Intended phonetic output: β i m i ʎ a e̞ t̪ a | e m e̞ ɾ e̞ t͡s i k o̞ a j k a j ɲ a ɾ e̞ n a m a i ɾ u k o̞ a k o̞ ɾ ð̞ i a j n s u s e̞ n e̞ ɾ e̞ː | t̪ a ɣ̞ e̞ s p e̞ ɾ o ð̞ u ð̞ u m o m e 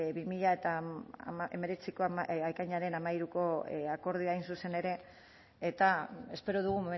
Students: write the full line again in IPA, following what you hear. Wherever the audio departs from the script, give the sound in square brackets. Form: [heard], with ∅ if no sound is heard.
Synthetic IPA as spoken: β i m i ʎ a e̞ t̪ a | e m e̞ ɾ e̞ t͡s i k o̞ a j k a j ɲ a ɾ e̞ n a m a i ɾ u k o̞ a k o̞ ɾ ð̞ i a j n s u s e̞ n e̞ ɾ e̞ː | t̪ a [∅] e̞ s p e̞ ɾ o ð̞ u [ɣ̞] u m o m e